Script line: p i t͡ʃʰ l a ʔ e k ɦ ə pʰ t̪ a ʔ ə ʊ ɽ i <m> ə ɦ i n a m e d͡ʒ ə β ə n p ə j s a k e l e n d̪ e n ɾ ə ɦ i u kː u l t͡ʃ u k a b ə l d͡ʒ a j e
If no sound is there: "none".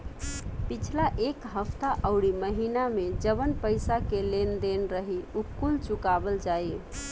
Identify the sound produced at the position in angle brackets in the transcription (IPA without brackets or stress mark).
m